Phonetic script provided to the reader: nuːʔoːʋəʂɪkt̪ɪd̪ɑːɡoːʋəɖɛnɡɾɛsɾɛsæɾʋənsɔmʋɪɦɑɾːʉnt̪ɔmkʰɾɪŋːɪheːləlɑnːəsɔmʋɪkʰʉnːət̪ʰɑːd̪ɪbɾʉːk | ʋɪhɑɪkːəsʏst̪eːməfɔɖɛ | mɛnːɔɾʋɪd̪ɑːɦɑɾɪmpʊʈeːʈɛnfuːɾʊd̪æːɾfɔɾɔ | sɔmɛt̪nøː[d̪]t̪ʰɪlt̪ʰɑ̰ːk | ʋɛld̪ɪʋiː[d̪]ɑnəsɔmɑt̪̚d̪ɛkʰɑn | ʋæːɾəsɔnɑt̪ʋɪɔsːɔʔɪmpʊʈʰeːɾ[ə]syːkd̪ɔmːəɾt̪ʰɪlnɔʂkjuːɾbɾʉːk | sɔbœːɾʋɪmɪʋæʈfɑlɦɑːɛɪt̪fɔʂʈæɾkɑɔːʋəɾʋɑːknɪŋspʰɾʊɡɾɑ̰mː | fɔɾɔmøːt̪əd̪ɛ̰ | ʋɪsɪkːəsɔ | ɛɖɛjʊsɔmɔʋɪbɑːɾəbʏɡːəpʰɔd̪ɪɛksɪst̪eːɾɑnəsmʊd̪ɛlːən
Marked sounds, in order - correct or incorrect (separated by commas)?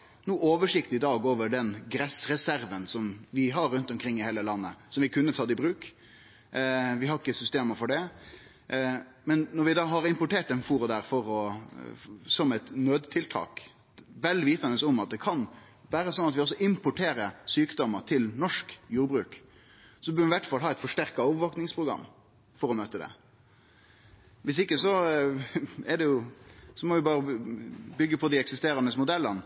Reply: correct, incorrect, correct